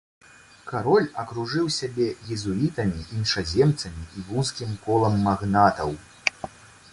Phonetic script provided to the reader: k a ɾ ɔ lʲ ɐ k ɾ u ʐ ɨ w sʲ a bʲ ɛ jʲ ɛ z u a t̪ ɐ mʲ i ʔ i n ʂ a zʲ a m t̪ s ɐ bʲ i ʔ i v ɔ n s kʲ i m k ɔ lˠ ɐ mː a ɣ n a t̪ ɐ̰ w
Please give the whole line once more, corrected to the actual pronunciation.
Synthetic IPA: k a ɾ ɔ lʲ ɐ k ɾ u ʐ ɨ w sʲ a bʲ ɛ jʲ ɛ z u i t̪ ɐ mʲ i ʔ i n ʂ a zʲ ɛ m t̪ s ɐ mʲ i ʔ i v u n s kʲ i m k ɔ lˠ ɐ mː a ɣ n a t̪ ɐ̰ w